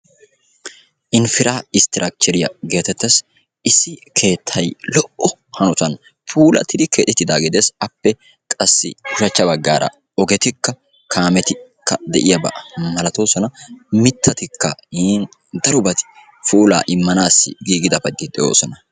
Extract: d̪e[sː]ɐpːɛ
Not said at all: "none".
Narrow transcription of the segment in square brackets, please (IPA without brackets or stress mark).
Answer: s